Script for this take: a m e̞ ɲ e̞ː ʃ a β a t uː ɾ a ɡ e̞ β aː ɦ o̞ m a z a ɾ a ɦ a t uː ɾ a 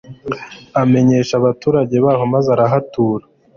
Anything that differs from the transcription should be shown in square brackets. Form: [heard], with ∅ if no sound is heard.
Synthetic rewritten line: a m e̞ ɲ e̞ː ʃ a β a t uː ɾ a [ɟ] e̞ β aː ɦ o̞ m a z a ɾ a ɦ a t uː ɾ a